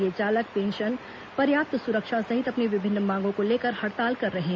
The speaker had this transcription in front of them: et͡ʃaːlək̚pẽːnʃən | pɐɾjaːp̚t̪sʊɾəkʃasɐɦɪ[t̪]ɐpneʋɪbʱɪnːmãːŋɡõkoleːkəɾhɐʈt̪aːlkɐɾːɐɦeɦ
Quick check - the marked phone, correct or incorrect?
correct